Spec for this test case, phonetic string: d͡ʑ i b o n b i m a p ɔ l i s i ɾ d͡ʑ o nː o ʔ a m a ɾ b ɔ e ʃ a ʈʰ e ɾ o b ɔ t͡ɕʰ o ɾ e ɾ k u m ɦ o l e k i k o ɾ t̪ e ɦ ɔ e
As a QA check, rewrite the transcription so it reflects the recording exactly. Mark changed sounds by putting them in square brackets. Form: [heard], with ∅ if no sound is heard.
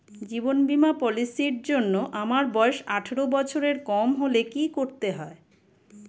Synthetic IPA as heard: d͡ʑ i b o n b i m a p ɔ l i s i ɾ d͡ʑ o nː o ʔ a m a ɾ b ɔ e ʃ a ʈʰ e ɾ o b ɔ t͡ɕʰ o ɾ e ɾ k [ɔ] m ɦ o l e k i k o ɾ t̪ e ɦ ɔ e